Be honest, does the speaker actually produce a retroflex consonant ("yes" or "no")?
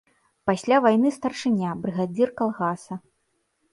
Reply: yes